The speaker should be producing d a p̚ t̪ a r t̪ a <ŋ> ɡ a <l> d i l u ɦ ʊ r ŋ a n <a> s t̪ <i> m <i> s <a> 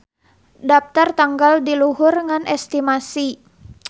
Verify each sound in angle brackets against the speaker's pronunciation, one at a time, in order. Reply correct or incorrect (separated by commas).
correct, correct, incorrect, correct, incorrect, incorrect